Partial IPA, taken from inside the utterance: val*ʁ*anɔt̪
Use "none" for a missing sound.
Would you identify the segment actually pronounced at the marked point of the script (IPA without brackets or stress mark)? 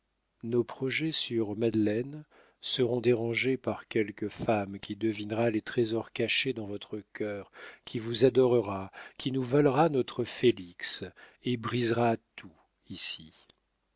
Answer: ʁ